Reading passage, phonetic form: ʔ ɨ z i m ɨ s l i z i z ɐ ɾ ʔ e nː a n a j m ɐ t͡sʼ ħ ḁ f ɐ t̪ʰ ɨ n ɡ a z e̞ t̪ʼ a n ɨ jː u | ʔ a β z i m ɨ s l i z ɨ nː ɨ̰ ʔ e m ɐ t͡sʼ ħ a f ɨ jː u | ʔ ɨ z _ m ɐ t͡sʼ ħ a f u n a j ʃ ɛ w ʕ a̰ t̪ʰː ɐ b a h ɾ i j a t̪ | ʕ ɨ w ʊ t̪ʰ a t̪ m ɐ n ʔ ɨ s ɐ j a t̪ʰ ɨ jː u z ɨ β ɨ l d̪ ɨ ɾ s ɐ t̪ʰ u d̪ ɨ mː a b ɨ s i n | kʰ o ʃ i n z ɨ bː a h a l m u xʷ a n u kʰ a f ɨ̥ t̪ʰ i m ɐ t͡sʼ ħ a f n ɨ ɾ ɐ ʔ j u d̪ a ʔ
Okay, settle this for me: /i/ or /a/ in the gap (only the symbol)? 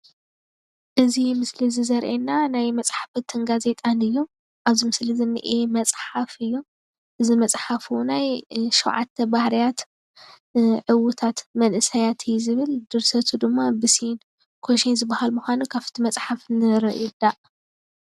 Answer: i